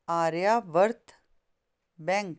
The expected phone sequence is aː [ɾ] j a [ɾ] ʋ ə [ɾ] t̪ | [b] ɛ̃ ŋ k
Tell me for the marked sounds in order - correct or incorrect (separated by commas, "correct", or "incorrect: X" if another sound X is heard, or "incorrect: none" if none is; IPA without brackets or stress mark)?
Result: correct, incorrect: none, correct, correct